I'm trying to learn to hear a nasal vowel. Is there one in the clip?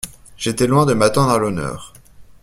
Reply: yes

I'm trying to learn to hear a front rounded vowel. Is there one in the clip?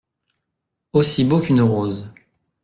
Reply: yes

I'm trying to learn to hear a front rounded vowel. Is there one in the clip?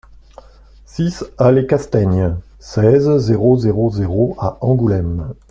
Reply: no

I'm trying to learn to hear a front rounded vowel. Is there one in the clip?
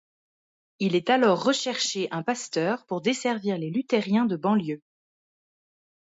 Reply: yes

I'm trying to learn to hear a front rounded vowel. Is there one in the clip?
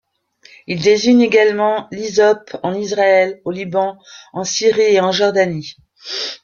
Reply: no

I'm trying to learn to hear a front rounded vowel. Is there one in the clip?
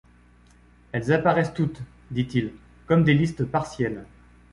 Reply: no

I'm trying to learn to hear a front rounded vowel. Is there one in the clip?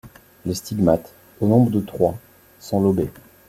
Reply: no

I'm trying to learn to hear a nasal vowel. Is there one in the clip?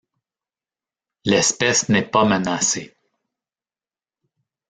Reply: no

